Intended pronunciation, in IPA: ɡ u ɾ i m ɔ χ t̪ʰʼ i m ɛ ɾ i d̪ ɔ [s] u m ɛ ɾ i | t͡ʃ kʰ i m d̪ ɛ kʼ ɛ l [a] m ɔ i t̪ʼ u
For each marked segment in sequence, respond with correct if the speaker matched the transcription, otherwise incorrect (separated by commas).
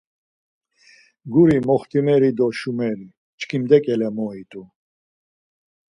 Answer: incorrect, incorrect